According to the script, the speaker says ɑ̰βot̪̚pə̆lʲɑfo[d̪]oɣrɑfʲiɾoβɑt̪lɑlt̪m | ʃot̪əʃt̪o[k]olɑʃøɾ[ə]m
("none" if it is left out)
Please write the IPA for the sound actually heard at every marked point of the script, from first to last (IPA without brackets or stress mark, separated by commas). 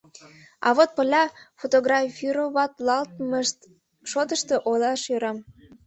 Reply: t̪, ʔ, ɑ